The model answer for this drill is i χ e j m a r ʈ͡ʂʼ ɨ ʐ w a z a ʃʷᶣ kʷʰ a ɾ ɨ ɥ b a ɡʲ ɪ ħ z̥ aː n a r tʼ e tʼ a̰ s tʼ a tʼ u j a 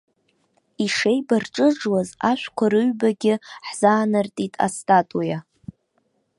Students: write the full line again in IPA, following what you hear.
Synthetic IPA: i ʂ e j b a r ʈ͡ʂʼ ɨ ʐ w a z a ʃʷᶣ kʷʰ a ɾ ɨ ɥ b a ɡʲ ɪ ħ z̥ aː n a r tʼ i tʼ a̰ s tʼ a tʼ u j a